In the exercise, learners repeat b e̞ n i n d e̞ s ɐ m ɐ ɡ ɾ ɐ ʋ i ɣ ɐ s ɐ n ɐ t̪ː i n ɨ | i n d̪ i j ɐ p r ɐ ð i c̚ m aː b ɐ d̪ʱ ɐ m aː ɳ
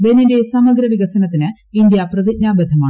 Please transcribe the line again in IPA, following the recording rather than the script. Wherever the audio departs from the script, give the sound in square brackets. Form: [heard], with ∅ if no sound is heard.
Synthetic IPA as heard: b e̞ n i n d e̞ s ɐ m ɐ ɡ ɾ ɐ ʋ i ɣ ɐ s ɐ n ɐ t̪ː i n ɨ | i n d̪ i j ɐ p r ɐ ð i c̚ [ɲ] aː b ɐ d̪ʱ ɐ m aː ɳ

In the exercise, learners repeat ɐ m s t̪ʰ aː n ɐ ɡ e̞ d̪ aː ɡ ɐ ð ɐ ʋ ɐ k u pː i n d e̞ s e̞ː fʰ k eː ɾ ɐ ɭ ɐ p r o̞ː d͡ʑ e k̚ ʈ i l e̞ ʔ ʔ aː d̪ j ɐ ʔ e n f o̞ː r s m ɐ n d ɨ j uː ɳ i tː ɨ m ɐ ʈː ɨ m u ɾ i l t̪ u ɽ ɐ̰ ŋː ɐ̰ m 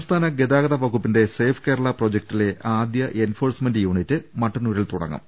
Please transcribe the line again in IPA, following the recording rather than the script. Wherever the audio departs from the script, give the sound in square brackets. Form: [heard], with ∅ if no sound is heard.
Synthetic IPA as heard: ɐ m s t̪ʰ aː n ɐ ɡ e̞ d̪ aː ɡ ɐ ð ɐ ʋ ɐ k u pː i n d e̞ s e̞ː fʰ k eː ɾ ɐ ɭ ɐ p r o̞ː d͡ʑ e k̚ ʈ i l e̞ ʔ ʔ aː d̪ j ɐ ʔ e n f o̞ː r s m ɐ n d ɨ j uː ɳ i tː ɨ m ɐ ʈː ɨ [n] u ɾ i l t̪ u ɽ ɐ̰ ŋː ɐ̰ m

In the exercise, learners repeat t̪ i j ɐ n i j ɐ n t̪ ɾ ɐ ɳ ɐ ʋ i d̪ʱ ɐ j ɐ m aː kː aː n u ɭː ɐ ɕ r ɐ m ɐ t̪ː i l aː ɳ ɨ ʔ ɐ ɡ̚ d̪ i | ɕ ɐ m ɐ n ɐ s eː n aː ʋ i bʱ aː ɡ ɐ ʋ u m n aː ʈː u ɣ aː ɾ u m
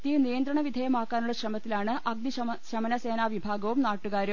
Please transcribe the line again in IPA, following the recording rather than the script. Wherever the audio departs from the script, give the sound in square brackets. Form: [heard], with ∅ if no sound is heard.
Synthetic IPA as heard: t̪ i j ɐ n i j ɐ n [d̪] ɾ ɐ ɳ ɐ ʋ i d̪ʱ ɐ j ɐ m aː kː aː n u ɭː ɐ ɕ r ɐ m ɐ t̪ː i l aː ɳ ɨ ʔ ɐ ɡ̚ d̪ i | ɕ ɐ m ɐ n ɐ s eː n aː ʋ i bʱ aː ɡ ɐ ʋ u m n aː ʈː u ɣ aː ɾ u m

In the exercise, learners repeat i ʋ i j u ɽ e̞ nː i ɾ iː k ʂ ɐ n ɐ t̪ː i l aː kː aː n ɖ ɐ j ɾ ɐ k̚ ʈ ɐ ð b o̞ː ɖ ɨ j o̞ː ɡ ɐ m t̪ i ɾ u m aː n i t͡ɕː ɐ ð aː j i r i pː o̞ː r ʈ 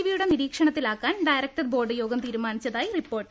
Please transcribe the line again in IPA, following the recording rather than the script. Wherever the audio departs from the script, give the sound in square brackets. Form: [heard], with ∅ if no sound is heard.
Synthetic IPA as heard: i ʋ i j u ɽ e̞ [n] i ɾ iː k ʂ ɐ [ɳ] ɐ t̪ː i l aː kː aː n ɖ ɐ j ɾ ɐ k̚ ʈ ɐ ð b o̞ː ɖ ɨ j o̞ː ɡ ɐ m t̪ [iː] ɾ u m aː n i t͡ɕː ɐ ð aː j i r i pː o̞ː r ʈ

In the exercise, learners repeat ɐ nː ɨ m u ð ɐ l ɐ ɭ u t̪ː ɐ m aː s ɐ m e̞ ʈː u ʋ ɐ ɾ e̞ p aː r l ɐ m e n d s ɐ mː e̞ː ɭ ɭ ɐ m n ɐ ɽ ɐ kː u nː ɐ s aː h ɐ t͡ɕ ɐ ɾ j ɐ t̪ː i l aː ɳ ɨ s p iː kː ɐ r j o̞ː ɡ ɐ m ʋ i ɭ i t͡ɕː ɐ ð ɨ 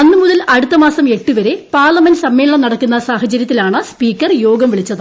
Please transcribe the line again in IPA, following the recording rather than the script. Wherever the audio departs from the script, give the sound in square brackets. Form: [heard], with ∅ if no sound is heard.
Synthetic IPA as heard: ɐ nː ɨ m u ð ɐ l ɐ [ɽ] u t̪ː ɐ m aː s ɐ m e̞ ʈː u ʋ ɐ ɾ e̞ p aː r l ɐ m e n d s ɐ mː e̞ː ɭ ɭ ɐ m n ɐ ɽ ɐ kː u nː ɐ s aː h ɐ t͡ɕ ɐ ɾ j ɐ t̪ː i l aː ɳ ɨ s p iː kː ɐ r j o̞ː ɡ ɐ m ʋ i ɭ i t͡ɕː ɐ ð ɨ

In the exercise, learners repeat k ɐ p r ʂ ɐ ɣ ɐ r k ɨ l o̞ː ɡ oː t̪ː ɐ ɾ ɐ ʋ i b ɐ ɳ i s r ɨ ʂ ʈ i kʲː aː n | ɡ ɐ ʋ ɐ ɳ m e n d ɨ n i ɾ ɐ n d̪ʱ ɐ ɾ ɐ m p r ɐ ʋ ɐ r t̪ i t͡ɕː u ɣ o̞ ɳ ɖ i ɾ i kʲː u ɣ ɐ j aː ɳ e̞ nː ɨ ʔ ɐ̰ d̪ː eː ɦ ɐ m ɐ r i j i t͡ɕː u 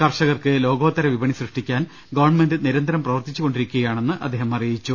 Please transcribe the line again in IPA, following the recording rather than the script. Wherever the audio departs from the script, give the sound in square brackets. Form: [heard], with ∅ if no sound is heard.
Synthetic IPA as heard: k ɐ [∅] r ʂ ɐ ɣ ɐ r k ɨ l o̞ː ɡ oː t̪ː ɐ ɾ ɐ ʋ i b ɐ ɳ i s r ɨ ʂ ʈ i kʲː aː n | ɡ ɐ ʋ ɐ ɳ m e n d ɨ n i ɾ ɐ n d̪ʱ ɐ ɾ ɐ m p r ɐ ʋ ɐ r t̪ i t͡ɕː u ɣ o̞ ɳ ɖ i ɾ i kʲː u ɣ ɐ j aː ɳ e̞ nː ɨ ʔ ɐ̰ d̪ː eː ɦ ɐ m ɐ r i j i t͡ɕː u

